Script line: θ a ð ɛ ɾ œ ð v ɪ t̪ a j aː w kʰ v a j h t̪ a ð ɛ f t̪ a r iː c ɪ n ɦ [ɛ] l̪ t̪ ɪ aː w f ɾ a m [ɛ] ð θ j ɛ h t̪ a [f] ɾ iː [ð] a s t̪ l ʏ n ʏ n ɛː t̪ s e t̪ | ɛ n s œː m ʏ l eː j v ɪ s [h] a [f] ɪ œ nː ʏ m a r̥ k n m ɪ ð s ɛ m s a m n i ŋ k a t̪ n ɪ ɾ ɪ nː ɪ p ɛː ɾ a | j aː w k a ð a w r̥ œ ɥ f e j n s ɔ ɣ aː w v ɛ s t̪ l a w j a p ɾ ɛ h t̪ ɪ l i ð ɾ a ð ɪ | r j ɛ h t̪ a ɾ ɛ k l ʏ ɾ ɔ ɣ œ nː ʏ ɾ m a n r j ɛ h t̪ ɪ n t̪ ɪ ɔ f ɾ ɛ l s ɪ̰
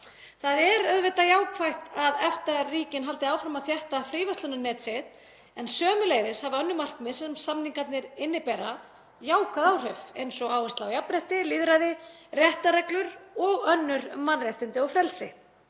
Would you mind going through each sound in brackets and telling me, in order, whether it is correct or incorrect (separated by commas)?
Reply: incorrect, incorrect, correct, incorrect, correct, incorrect